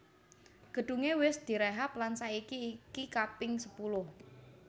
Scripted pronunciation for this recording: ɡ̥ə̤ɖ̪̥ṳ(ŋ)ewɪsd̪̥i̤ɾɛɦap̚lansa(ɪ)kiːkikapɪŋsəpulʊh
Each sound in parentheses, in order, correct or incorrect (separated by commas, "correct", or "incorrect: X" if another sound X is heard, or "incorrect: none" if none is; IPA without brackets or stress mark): correct, incorrect: i